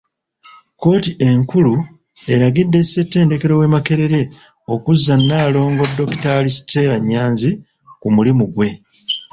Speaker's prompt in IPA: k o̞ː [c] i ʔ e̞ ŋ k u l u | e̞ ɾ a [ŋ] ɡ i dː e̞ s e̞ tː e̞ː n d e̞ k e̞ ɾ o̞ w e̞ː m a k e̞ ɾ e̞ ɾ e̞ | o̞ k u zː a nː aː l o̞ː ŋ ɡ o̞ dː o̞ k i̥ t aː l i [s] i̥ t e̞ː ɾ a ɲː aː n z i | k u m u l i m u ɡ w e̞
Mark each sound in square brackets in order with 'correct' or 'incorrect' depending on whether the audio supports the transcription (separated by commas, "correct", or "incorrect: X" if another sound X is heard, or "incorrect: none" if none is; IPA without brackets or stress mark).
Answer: incorrect: t, incorrect: none, correct